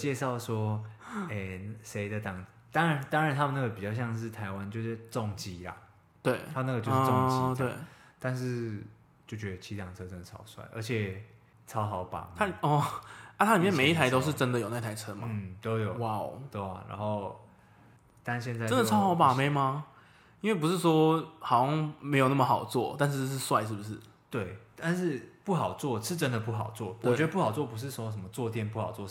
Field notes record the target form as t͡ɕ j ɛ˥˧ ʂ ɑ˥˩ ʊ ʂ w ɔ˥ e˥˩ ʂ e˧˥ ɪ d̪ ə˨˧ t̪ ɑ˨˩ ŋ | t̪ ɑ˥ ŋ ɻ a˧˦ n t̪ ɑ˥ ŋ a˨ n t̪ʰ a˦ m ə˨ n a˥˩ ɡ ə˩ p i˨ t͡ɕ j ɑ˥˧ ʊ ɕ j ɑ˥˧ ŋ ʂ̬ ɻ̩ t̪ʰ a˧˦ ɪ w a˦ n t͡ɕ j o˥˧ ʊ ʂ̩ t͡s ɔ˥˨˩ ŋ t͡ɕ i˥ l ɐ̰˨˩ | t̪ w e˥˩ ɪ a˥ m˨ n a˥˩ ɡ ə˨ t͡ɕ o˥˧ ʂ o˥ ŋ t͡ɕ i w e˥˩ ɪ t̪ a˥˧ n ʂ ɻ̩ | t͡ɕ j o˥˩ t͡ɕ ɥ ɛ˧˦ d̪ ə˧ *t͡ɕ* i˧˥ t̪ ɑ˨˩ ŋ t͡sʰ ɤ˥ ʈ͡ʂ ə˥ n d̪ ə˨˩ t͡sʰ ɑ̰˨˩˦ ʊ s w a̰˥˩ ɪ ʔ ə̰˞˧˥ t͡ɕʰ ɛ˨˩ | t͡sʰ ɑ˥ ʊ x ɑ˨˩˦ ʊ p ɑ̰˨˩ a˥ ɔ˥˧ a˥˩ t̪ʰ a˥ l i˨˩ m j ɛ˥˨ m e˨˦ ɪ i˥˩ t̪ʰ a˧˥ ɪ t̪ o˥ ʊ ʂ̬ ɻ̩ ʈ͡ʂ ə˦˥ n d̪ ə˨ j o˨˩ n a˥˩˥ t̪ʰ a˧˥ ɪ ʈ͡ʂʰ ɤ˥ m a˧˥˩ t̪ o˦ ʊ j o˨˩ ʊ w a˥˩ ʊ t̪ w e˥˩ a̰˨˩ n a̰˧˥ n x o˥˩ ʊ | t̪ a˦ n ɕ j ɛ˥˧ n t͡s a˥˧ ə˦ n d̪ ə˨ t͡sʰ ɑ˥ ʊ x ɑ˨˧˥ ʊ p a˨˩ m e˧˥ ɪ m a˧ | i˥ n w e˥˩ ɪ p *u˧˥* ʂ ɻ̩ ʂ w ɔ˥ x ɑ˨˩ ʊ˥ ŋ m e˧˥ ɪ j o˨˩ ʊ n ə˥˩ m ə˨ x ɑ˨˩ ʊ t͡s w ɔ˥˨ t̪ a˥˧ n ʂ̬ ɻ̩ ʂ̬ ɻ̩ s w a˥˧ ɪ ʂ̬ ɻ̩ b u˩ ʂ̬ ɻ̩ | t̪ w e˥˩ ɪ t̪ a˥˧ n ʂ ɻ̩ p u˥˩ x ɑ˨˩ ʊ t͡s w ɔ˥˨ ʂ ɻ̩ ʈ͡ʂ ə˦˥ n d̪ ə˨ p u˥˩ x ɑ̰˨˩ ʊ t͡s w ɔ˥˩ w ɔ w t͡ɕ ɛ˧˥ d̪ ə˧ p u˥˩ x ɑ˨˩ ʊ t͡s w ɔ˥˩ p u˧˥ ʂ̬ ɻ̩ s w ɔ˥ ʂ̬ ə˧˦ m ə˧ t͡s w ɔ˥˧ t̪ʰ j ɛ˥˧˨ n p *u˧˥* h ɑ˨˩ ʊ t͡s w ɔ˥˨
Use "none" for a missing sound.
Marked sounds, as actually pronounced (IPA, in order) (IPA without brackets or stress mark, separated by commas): t͡ɕʰ, u˥, u˥˩